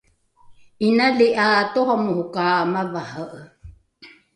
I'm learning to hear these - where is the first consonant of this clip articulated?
tongue tip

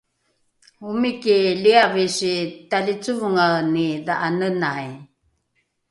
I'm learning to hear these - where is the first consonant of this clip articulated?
lips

